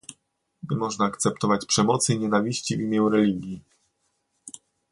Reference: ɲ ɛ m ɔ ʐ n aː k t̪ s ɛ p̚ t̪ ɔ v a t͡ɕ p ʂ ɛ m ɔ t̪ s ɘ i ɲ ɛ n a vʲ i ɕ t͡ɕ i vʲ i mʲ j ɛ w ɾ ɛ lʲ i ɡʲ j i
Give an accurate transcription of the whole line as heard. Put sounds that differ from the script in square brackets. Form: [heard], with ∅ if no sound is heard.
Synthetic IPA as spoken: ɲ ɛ m ɔ ʐ n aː k t̪ s ɛ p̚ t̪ ɔ v a t͡ɕ p ʂ ɛ m ɔ t̪ s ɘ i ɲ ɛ n a vʲ i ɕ t͡ɕ i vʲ i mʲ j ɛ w ɾ ɛ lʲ i ɡʲ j i